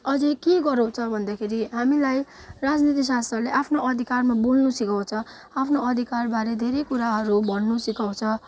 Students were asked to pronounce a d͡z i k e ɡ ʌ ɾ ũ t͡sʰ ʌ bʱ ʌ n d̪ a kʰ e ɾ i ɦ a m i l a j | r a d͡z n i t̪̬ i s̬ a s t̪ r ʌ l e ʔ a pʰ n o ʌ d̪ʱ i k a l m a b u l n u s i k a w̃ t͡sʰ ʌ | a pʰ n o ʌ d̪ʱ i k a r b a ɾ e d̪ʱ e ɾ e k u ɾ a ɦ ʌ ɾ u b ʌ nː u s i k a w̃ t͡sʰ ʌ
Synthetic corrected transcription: ʌ d͡z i k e ɡ ʌ ɾ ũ t͡sʰ ʌ bʱ ʌ n d̪ a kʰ e ɾ i ɦ a m i l a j | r a d͡z n i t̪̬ i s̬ a s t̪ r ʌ l e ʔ a pʰ n o ʌ d̪ʱ i k a r m a b u l n u s i k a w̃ t͡sʰ ʌ | a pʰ n o ʌ d̪ʱ i k a r b a ɾ e d̪ʱ e ɾ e k u ɾ a ɦ ʌ ɾ u b ʌ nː u s i k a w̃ t͡sʰ ʌ